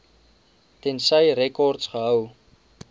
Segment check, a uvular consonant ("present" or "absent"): present